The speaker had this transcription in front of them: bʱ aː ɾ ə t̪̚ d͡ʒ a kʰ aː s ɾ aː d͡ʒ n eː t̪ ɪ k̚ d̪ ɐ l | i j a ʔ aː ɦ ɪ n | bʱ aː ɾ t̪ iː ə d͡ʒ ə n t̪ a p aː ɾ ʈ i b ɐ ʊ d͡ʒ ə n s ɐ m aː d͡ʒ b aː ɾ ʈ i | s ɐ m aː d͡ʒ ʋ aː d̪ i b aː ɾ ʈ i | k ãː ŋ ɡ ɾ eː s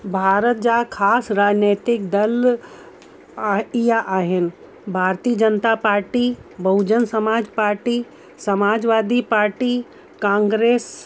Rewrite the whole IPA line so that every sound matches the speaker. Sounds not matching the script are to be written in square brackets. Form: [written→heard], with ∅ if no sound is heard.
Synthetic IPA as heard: bʱ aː ɾ ə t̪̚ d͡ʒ a kʰ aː s ɾ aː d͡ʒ n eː t̪ ɪ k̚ d̪ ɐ l | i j a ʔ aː ɦ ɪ n | bʱ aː ɾ t̪ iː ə d͡ʒ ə n t̪ a p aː ɾ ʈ i b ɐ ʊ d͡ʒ ə n s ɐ m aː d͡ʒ [b→p] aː ɾ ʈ i | s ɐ m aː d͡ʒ ʋ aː d̪ i [b→p] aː ɾ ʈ i | k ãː ŋ ɡ ɾ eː s